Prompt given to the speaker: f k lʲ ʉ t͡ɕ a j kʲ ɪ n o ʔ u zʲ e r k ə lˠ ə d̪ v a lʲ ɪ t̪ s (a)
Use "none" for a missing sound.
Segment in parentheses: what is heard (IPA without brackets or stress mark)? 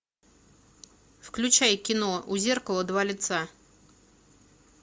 a